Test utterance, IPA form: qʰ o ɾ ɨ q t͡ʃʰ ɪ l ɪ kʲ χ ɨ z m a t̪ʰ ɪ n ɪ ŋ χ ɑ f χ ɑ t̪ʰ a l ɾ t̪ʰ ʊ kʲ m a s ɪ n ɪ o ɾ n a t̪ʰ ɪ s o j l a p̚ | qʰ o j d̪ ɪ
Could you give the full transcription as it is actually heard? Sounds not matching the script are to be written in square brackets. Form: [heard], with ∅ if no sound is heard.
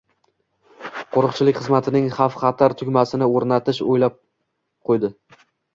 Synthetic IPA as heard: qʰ o ɾ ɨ q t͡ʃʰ ɪ l ɪ kʲ χ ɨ z m a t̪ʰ ɪ n ɪ ŋ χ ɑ f χ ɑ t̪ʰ a [∅] ɾ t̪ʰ ʊ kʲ m a s ɪ n ɪ o ɾ n a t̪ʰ ɪ [ʃ] o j l a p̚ | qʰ o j d̪ ɪ